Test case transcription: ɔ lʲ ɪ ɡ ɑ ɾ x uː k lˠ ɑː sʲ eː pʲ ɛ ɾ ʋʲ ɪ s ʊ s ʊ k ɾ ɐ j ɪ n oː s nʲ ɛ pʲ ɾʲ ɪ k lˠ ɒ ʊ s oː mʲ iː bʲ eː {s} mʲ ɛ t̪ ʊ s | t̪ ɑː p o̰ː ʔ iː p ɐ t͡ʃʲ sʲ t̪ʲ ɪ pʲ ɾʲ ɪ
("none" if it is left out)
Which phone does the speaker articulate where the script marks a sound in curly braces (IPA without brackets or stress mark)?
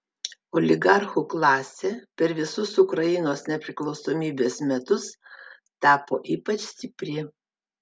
s